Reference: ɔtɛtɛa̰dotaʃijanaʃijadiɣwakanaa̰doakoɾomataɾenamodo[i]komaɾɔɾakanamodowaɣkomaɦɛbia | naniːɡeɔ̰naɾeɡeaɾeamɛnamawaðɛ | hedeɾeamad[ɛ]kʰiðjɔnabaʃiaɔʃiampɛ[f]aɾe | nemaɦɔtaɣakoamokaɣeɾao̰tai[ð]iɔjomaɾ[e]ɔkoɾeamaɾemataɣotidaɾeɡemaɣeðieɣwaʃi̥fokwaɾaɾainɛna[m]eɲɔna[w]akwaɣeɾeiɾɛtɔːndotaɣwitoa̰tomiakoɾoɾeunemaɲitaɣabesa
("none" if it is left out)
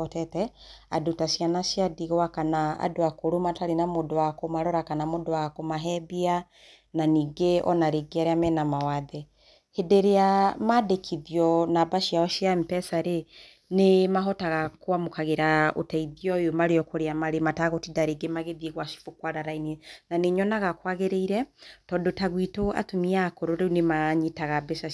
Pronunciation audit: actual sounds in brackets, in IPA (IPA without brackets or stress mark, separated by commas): a, e, s, ð, e, n, ɣ